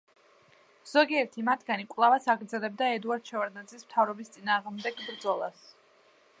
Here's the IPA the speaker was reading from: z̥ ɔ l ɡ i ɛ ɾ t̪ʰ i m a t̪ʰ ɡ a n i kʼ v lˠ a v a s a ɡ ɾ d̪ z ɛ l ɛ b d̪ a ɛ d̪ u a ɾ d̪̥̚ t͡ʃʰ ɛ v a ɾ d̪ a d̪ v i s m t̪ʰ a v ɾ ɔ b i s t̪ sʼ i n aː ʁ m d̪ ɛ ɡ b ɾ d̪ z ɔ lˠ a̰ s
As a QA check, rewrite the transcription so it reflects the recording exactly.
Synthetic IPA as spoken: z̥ ɔ ɡ i ɛ ɾ t̪ʰ i m a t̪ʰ ɡ a n i kʼ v lˠ a v a s a ɡ ɾ d̪ z ɛ l ɛ b d̪ a ɛ d̪ u a ɾ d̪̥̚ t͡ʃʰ ɛ v a ɾ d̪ a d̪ z i s m t̪ʰ a v ɾ ɔ b i s t̪ sʼ i n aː ʁ m d̪ ɛ ɡ b ɾ d̪ z ɔ lˠ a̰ s